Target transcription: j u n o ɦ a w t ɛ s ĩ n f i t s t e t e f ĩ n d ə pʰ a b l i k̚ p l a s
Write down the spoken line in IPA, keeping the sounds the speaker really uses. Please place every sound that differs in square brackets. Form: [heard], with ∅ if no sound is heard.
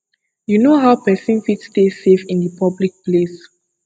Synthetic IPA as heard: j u n o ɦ a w [p] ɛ s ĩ n f i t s t e [s] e f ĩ n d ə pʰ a b l i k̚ p l [e] s